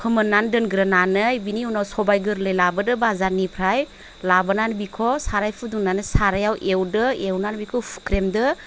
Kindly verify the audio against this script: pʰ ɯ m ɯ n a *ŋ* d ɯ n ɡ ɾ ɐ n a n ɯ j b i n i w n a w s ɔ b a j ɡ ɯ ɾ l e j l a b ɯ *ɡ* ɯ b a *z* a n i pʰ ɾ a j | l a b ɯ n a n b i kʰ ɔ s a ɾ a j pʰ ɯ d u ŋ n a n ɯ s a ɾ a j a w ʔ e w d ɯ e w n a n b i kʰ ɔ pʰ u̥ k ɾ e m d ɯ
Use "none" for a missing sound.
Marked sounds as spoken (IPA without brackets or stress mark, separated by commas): n, d, z